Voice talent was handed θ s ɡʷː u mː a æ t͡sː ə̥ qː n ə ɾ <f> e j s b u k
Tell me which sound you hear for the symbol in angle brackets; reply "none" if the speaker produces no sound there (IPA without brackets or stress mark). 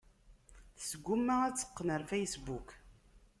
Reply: f